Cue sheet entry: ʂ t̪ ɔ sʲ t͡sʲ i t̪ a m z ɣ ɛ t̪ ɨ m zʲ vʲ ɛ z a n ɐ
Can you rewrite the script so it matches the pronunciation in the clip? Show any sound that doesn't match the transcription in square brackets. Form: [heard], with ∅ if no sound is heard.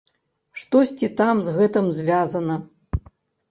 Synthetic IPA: ʂ t̪ ɔ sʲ t͡sʲ i t̪ a m z ɣ ɛ t̪ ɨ m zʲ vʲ [a] z [ɐ] n ɐ